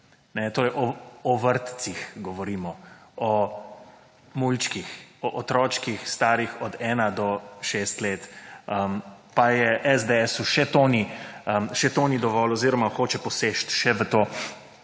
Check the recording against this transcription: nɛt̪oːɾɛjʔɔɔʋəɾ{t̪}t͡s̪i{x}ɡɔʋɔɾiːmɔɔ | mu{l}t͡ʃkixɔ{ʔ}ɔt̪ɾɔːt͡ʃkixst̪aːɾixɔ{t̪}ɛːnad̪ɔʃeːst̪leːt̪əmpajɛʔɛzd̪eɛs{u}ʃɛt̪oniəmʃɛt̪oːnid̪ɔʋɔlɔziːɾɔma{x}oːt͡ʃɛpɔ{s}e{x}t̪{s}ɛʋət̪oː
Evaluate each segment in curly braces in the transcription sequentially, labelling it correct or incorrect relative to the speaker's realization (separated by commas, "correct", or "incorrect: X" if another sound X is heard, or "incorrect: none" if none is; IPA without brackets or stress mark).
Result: correct, correct, correct, correct, incorrect: d̪, correct, correct, correct, incorrect: ʃ, incorrect: ʃ